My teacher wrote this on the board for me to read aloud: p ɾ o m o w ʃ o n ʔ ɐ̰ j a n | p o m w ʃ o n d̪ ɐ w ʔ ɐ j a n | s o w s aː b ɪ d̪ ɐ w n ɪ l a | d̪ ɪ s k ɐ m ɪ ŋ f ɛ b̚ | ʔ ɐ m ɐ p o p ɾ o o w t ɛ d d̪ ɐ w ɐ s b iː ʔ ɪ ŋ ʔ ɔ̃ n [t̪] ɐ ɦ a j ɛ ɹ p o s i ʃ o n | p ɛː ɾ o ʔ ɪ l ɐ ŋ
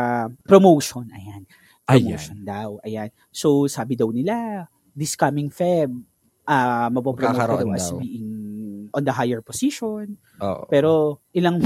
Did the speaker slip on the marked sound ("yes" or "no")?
yes